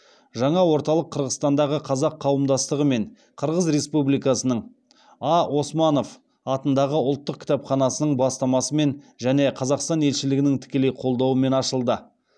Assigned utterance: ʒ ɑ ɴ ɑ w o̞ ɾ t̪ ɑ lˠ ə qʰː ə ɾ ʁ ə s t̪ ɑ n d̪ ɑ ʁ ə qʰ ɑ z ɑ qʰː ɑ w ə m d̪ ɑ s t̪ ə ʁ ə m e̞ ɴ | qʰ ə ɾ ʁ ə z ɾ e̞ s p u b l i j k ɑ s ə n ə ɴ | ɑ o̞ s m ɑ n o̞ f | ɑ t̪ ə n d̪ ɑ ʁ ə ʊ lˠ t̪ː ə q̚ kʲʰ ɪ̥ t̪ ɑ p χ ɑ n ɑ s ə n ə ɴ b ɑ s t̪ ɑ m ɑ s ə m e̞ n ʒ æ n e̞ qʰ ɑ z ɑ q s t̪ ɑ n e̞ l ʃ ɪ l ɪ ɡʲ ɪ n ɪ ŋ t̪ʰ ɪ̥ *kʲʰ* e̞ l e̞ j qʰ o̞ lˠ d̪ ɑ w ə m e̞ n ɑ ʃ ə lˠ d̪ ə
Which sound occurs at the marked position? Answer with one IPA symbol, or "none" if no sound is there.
kʲ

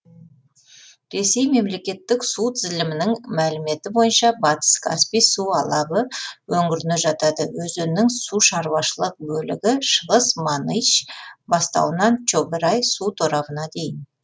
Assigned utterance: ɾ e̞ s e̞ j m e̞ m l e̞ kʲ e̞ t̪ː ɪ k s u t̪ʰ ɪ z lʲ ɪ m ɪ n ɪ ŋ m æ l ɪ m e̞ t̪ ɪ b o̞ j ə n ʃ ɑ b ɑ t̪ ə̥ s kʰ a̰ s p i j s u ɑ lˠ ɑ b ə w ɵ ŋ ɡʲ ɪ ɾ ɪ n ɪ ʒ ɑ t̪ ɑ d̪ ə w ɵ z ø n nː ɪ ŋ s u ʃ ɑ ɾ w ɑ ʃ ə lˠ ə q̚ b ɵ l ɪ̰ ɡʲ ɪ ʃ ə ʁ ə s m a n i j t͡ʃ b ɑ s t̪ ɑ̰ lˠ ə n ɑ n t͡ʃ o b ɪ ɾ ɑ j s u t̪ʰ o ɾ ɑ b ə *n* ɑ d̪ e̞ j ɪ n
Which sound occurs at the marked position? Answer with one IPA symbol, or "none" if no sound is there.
n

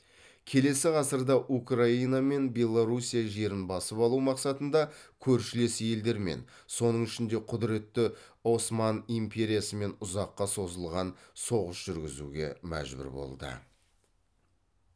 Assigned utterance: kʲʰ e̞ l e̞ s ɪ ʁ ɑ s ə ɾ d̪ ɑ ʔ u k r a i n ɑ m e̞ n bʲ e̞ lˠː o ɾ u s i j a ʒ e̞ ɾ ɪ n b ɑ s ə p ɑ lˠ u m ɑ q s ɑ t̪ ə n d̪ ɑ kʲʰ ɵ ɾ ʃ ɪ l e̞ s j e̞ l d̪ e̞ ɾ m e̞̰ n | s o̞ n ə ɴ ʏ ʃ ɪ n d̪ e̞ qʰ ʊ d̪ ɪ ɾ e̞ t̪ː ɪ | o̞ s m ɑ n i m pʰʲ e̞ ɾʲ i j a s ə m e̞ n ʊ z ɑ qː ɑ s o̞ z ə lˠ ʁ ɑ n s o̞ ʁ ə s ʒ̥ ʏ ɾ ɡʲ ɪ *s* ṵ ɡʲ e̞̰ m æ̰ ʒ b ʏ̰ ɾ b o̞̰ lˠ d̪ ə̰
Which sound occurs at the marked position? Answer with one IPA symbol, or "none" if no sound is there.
z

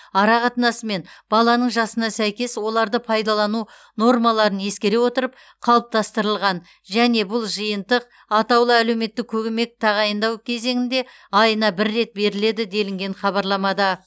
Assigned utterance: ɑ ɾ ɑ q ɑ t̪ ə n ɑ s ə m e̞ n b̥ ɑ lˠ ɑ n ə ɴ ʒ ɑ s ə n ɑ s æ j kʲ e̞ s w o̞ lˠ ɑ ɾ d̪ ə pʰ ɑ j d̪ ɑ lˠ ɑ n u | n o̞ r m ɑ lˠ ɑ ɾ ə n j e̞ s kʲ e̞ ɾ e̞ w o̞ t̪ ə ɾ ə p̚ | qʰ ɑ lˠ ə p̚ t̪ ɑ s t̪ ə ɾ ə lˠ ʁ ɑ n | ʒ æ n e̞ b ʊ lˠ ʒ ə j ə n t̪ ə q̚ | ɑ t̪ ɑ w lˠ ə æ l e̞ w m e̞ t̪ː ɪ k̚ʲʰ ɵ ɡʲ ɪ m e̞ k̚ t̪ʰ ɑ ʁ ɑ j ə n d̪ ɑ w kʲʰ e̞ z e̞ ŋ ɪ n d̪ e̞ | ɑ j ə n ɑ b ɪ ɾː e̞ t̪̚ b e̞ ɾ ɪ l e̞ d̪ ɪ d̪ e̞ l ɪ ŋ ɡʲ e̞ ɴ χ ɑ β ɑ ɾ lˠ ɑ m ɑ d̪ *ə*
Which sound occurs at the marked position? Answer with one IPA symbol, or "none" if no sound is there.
ɑ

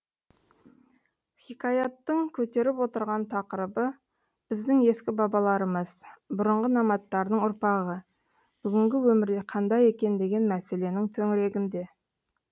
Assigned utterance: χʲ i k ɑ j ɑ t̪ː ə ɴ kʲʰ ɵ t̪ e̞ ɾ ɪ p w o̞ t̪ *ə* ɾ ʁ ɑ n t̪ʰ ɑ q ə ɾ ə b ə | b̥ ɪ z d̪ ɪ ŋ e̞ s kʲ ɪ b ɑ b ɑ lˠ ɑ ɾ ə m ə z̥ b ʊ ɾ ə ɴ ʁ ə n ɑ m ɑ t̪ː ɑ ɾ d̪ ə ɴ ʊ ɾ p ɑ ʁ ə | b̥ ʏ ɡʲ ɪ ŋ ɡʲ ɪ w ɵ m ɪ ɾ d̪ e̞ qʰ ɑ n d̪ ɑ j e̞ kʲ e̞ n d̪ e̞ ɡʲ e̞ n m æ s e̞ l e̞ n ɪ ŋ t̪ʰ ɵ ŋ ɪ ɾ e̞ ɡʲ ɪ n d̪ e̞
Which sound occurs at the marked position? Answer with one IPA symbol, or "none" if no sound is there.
ə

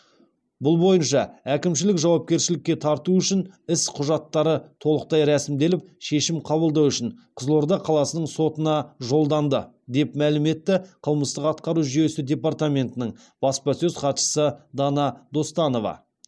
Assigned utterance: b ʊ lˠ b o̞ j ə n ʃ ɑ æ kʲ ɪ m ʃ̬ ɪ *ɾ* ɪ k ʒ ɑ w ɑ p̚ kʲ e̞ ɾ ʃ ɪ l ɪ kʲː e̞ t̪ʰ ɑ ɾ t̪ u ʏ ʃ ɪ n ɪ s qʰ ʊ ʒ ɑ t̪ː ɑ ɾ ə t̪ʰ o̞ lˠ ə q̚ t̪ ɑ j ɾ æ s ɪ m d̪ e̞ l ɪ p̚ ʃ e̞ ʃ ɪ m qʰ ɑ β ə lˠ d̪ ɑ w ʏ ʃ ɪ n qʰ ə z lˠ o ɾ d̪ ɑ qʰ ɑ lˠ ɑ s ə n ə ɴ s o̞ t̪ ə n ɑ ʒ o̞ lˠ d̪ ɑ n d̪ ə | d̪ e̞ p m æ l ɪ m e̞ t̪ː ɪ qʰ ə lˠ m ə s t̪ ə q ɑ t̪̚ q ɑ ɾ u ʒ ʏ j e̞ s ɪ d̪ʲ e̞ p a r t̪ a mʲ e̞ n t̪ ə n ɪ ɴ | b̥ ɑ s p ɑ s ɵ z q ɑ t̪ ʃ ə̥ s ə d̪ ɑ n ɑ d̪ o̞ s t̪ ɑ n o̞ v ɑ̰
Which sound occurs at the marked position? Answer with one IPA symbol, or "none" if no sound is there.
l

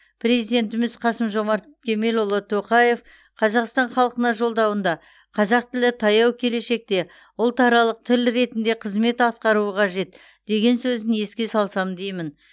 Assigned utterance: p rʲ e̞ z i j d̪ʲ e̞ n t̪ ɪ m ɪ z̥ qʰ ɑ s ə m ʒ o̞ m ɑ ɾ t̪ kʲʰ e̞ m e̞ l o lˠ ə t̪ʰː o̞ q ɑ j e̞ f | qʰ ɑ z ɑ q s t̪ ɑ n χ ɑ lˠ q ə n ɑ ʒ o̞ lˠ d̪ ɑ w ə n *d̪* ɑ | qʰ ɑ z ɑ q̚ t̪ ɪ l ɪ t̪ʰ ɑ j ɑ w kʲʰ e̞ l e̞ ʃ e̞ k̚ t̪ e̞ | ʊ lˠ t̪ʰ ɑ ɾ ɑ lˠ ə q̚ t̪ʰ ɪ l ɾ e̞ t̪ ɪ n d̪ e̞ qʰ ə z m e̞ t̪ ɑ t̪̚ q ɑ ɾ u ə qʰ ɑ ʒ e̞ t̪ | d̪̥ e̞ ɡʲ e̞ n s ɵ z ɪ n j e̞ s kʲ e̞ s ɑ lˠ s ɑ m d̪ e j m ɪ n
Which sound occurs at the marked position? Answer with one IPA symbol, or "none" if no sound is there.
d̪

